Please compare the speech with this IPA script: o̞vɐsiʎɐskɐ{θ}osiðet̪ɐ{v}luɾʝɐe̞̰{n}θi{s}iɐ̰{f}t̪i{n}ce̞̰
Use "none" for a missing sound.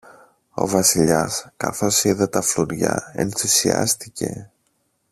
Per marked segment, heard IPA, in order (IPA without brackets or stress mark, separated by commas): θ, f, n, s, s, none